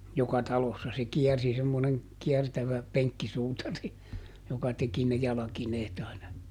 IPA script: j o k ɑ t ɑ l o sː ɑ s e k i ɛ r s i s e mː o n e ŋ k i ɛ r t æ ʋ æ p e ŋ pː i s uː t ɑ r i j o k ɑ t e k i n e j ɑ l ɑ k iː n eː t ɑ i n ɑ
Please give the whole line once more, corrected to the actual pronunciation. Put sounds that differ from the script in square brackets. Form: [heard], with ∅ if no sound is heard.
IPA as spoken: j o k ɑ t ɑ l o sː ɑ s e k i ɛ r s i s e mː o n e ŋ k i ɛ r t æ ʋ æ p e ŋ [kː] i s uː t ɑ r i j o k ɑ t e k i n e j ɑ l ɑ k [i] n eː t ɑ i n ɑ